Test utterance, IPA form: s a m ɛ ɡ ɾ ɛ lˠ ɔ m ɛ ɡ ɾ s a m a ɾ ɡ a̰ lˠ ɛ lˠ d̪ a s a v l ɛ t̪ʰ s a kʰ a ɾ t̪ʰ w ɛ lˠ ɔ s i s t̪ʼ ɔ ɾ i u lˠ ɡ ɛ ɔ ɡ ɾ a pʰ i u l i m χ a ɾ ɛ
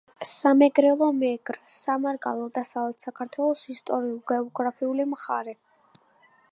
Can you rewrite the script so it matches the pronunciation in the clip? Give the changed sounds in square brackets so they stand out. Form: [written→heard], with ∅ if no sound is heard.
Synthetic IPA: s a m ɛ ɡ ɾ ɛ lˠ ɔ m ɛ ɡ ɾ s a m a ɾ ɡ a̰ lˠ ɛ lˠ d̪ a s a v l ɛ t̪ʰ s a kʰ a ɾ t̪ʰ w ɛ lˠ ɔ s i s t̪ʼ ɔ ɾ i u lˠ ɡ ɛ ɔ ɡ ɾ a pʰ i u l i m χ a ɾ ɛ